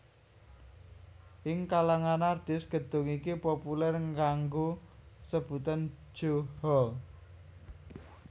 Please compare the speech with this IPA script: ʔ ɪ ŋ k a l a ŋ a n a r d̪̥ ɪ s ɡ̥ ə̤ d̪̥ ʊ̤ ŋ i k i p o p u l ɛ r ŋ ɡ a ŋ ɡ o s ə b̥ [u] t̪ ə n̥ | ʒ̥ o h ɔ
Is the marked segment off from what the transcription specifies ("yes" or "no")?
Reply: no